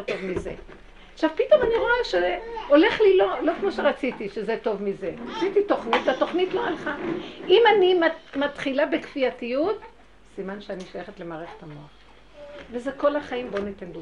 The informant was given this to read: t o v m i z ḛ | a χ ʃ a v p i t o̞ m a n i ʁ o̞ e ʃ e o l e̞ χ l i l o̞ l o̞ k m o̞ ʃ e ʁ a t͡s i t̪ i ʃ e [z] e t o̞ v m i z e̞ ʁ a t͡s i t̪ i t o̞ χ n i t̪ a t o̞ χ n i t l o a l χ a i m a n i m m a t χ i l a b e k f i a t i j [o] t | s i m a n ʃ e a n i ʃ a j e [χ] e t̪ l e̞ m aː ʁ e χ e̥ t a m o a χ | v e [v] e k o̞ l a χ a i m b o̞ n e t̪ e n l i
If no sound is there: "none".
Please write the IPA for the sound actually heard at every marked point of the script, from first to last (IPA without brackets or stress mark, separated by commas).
z, u, χ, z